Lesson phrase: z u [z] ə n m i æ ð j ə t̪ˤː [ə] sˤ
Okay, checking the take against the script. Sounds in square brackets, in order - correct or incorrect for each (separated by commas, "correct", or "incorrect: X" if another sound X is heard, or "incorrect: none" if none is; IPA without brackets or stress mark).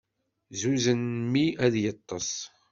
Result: correct, incorrect: ɑ